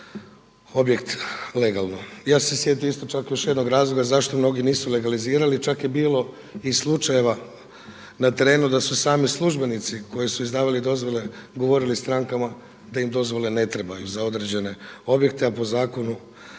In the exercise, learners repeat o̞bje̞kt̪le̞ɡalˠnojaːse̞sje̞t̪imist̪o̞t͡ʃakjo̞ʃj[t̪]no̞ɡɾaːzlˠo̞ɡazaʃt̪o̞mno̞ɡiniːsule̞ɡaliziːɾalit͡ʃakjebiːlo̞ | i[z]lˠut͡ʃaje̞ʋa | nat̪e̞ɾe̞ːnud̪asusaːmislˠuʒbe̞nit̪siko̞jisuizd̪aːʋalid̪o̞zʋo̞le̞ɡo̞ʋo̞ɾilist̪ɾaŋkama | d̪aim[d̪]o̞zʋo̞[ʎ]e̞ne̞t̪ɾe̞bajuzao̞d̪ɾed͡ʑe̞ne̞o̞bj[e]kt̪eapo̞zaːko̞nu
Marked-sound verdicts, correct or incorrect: incorrect: d̪, incorrect: s, correct, incorrect: l, correct

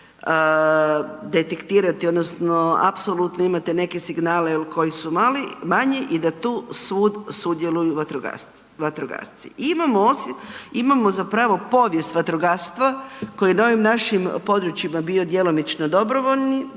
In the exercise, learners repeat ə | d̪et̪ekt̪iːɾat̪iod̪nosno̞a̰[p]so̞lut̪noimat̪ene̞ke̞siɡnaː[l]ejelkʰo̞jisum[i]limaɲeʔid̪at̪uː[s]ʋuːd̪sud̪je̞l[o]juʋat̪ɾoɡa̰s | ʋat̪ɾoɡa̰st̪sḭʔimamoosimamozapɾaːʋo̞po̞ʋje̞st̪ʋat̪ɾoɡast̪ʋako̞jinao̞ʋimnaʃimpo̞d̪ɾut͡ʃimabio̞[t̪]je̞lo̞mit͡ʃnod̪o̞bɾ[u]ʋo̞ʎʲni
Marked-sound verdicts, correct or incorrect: correct, correct, incorrect: a, correct, incorrect: u, incorrect: d̪, incorrect: o

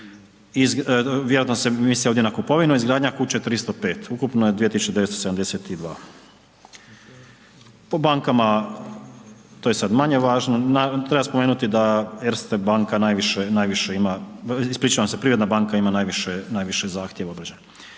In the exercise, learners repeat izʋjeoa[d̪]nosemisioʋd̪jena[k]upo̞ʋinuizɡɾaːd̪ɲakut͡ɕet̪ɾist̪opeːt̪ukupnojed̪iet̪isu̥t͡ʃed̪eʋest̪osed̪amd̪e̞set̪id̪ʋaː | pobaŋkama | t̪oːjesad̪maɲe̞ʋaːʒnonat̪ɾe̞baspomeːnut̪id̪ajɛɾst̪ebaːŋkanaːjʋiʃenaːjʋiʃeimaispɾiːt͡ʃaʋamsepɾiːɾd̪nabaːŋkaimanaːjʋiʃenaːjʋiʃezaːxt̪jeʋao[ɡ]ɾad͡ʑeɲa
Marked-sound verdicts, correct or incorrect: incorrect: t̪, correct, incorrect: b

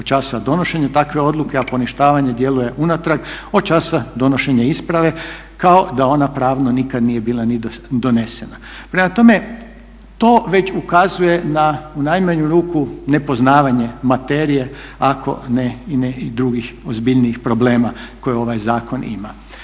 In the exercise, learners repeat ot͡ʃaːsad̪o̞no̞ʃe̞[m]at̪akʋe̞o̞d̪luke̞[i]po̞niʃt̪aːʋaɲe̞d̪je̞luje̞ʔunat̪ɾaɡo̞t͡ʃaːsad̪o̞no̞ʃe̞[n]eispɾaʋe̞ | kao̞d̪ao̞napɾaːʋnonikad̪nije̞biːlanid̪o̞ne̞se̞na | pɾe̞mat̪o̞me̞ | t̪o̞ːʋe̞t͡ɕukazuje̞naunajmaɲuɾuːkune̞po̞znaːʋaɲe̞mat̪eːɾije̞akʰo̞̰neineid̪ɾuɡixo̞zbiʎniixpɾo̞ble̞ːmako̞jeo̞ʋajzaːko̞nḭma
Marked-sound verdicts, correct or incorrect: incorrect: ɲ, incorrect: a, incorrect: ɲ

